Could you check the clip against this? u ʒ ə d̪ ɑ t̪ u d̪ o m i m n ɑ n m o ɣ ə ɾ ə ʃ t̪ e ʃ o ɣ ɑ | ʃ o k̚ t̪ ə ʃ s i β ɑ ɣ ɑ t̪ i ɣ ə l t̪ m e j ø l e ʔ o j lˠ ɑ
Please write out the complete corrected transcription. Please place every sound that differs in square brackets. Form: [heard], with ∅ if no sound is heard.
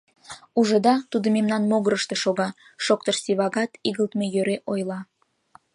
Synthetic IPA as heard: u ʒ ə d̪ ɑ t̪ u d̪ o m [e] m n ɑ n m o ɣ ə ɾ ə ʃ t̪ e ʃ o ɣ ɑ | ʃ o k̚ t̪ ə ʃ s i β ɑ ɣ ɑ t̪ i ɣ ə l t̪ m e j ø [ɾ] e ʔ o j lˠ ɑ